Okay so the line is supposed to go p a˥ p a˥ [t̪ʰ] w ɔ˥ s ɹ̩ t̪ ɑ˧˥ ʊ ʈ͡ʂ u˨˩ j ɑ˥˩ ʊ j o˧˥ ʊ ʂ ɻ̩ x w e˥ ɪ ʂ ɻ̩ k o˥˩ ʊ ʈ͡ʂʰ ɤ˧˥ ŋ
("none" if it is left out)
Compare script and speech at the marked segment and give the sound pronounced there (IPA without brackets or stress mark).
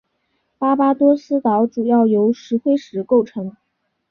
t̪